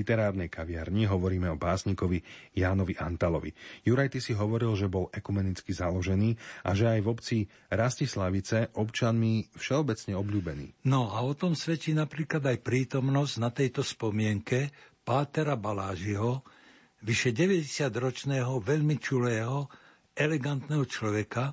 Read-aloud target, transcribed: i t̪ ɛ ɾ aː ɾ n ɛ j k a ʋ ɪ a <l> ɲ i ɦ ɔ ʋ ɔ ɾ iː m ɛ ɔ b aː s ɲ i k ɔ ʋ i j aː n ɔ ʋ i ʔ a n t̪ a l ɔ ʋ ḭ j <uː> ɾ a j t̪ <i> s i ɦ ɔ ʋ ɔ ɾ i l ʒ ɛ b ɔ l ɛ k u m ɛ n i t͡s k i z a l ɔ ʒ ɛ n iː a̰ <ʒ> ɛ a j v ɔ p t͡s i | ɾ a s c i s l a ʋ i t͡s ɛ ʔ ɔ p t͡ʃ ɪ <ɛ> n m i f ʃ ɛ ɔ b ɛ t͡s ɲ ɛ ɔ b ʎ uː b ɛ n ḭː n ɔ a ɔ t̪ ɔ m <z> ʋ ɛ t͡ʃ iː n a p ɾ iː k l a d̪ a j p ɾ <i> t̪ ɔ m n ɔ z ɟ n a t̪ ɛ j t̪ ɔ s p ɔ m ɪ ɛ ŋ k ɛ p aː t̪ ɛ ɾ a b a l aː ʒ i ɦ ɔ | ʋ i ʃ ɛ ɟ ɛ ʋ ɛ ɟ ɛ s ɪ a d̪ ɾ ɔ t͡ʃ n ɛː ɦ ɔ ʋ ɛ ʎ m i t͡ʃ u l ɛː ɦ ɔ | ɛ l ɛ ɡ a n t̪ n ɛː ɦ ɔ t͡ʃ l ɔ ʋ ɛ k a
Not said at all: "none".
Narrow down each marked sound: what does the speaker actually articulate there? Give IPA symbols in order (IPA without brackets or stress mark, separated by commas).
ɾ, u, i, ʒ, a, s, iː